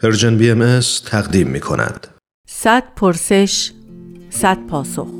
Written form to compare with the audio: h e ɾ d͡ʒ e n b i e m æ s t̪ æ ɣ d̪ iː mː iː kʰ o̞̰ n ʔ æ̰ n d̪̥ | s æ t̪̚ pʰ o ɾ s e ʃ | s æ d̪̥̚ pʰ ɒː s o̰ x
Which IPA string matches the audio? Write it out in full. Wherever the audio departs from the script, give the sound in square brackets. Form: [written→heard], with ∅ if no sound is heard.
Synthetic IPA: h e ɾ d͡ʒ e n b i e m [æ→e] s [t̪→t̪ʰ] æ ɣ d̪ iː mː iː kʰ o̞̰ n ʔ æ̰ n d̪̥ | s æ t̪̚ pʰ o ɾ s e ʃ | s æ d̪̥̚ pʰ ɒː s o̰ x